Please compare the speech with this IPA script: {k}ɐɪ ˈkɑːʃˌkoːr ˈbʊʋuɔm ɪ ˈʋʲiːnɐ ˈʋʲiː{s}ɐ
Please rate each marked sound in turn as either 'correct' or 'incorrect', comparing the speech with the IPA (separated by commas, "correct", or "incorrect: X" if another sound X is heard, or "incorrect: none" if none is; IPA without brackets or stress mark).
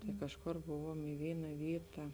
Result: incorrect: t, incorrect: t